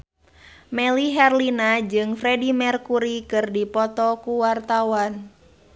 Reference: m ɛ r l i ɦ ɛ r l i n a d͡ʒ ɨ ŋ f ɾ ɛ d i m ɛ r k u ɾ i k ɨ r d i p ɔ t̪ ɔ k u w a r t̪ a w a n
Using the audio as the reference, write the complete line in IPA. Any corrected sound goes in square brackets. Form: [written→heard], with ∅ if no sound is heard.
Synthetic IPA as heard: m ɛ [r→∅] l i ɦ ɛ r l i n a d͡ʒ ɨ ŋ f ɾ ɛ d i m ɛ r k u ɾ i k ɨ r d i p ɔ t̪ ɔ k u w a r t̪ a w a n